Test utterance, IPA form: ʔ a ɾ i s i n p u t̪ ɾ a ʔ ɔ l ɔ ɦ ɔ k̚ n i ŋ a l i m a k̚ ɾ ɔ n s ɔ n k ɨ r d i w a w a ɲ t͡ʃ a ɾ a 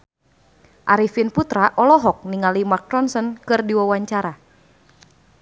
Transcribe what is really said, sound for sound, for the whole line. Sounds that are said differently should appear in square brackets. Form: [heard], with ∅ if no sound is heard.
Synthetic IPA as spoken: ʔ a ɾ i [f] i n p u t̪ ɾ a ʔ ɔ l ɔ ɦ ɔ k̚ n i ŋ a l i m a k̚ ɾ ɔ n s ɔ n k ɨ r d i w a w a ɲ t͡ʃ a ɾ a